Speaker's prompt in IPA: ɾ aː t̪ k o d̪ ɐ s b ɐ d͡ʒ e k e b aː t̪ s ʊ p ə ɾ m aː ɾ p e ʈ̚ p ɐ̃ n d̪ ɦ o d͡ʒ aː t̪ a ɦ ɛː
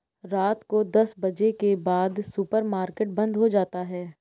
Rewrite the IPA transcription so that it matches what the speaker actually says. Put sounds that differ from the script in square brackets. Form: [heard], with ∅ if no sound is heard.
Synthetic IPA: ɾ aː t̪ k o d̪ ɐ s b ɐ d͡ʒ e k e b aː [d̪] s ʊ p ə ɾ m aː ɾ [k] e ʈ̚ [b] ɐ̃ n d̪ ɦ o d͡ʒ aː t̪ a ɦ ɛː